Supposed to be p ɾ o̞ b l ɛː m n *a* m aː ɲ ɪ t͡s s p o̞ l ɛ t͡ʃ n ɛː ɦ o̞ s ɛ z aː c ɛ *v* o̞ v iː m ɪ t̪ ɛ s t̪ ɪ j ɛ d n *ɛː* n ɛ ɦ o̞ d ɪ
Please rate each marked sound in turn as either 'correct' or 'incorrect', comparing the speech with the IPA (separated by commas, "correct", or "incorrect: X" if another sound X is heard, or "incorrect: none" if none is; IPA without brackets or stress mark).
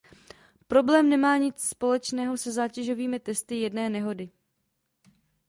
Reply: incorrect: ɛ, incorrect: ʒ, correct